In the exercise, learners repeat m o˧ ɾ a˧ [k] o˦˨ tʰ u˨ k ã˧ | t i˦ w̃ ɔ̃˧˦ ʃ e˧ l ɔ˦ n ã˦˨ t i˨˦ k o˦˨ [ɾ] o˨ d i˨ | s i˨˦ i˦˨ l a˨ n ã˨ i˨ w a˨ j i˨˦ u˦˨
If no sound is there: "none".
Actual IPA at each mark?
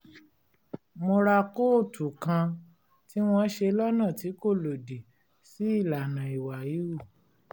k, l

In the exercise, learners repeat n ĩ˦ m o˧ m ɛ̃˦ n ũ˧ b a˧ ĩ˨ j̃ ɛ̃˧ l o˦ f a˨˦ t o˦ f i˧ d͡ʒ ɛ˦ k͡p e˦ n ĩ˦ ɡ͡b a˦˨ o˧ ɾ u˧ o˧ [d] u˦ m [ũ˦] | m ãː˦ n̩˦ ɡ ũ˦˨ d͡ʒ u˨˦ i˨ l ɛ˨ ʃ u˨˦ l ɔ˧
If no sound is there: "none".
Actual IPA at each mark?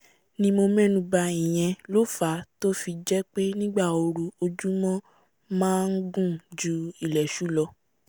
d͡ʒ, ɔ̃˦

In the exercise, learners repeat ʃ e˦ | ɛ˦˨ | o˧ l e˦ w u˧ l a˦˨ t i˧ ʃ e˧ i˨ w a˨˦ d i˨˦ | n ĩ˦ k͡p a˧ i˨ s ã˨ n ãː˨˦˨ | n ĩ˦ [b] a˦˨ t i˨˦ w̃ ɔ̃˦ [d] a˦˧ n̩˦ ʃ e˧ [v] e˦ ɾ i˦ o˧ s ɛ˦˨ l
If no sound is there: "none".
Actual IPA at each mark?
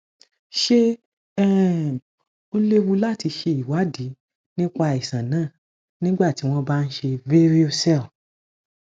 ɡ͡b, b, v

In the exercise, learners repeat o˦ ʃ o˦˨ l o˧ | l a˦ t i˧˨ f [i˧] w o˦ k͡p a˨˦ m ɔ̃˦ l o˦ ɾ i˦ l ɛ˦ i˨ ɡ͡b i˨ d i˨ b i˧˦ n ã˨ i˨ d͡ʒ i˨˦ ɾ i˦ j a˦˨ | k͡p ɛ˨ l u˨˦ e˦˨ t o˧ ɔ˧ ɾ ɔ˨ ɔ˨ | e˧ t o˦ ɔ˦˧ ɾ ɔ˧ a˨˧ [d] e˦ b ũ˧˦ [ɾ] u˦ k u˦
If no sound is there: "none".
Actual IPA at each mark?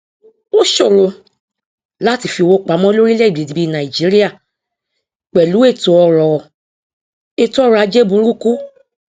i˧, d͡ʒ, ɾ

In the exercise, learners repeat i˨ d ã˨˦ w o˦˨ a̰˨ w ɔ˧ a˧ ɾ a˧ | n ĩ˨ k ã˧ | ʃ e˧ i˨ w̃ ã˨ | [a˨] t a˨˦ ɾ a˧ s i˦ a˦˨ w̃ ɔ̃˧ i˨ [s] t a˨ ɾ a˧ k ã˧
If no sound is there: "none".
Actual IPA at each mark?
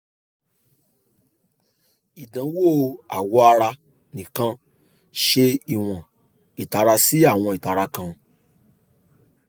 i˨, none

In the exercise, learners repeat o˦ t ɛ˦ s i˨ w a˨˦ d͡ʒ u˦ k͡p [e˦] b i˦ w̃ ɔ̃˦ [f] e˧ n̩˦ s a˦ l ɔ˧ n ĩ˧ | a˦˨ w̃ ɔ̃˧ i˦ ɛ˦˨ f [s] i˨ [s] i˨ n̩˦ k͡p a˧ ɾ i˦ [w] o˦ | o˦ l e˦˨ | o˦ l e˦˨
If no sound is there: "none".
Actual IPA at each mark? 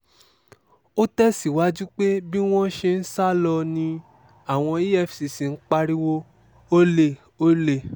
e˦, ʃ, s, s, w

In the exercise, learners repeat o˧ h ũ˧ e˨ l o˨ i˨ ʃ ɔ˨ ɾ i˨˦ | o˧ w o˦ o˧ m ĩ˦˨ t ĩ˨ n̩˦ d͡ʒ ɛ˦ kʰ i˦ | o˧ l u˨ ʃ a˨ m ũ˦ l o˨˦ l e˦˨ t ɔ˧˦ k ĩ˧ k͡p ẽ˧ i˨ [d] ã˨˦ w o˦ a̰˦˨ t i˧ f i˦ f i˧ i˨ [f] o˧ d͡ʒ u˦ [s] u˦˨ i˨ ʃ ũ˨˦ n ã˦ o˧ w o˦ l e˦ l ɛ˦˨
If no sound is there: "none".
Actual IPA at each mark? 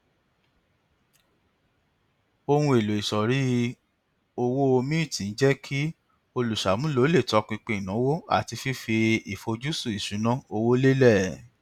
n, f, s

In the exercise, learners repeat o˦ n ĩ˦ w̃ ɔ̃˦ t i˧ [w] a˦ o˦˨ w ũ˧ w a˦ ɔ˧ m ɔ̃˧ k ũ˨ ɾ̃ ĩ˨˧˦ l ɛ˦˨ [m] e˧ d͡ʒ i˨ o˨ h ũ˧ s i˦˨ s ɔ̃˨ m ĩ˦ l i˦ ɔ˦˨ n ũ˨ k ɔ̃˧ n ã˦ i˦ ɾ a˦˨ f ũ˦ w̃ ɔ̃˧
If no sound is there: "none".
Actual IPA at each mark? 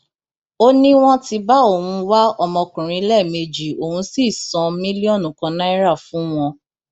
b, m

